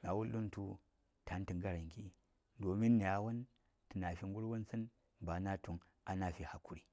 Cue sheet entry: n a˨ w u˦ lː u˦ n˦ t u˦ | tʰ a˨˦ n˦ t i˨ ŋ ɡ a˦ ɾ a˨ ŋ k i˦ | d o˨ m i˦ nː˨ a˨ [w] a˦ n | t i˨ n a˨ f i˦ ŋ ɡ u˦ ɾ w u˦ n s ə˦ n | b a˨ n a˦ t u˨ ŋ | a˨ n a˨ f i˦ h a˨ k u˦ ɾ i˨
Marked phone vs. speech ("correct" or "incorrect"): correct